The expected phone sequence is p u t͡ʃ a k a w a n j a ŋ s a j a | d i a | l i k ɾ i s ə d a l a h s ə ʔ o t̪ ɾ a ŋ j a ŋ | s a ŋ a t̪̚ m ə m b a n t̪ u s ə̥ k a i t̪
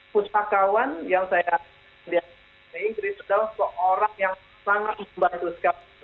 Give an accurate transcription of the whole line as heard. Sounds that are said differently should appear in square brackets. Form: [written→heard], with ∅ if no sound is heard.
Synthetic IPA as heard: p u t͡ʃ a k a w a n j a ŋ s a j a | d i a | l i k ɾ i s [ə→a] d a l a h s ə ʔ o [t̪→∅] ɾ a ŋ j a ŋ | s a ŋ a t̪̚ m ə m b a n t̪ u s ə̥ k a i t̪